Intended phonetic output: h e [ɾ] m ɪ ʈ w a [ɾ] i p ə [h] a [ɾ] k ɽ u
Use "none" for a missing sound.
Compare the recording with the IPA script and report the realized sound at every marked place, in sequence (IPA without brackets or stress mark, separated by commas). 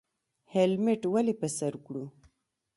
l, l, s, ɾ